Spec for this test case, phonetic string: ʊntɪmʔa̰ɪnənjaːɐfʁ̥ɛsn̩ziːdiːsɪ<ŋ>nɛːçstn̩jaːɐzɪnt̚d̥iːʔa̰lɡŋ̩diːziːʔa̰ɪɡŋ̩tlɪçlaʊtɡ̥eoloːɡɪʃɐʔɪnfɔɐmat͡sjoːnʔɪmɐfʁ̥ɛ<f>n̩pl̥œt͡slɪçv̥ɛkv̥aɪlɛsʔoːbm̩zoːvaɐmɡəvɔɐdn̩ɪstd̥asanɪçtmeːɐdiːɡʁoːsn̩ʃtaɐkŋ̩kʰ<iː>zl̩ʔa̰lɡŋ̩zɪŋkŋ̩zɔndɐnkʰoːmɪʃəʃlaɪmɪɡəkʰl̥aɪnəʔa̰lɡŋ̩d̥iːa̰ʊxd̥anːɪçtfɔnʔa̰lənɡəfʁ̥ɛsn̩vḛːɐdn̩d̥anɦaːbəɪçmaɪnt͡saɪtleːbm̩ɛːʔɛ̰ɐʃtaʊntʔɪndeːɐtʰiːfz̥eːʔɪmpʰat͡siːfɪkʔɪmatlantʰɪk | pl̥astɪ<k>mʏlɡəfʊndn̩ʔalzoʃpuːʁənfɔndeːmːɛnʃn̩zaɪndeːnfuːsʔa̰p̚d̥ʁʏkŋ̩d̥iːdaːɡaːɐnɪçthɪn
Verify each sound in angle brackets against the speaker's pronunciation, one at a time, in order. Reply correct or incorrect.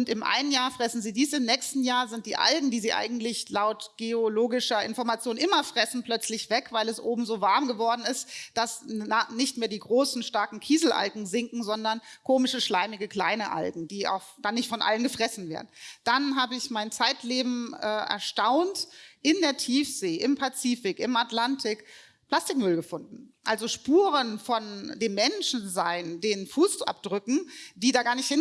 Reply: incorrect, incorrect, correct, correct

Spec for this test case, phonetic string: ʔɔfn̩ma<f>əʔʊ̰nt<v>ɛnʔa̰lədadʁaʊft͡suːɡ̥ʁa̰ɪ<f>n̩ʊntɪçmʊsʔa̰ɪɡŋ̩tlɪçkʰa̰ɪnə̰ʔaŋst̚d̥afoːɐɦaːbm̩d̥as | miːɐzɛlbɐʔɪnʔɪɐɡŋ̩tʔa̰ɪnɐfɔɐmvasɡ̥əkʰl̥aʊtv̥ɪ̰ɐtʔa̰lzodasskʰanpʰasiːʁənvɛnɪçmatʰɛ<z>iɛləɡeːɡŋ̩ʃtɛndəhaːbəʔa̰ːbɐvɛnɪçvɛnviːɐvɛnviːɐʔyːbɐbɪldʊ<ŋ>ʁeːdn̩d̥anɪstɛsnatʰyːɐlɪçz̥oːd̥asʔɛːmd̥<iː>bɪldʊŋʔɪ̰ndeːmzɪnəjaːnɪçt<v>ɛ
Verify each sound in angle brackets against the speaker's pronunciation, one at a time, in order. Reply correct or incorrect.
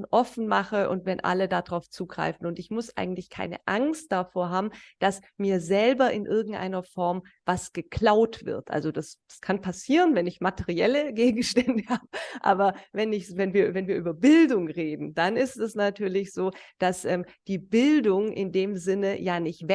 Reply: incorrect, correct, correct, incorrect, correct, correct, correct

